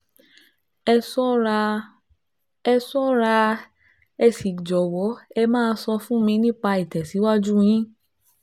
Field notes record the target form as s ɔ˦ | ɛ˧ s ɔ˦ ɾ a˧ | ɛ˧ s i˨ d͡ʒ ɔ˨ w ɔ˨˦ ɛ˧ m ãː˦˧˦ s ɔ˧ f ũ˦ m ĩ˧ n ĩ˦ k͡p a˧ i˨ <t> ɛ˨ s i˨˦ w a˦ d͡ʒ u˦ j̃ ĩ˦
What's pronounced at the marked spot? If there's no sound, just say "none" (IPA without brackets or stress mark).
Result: t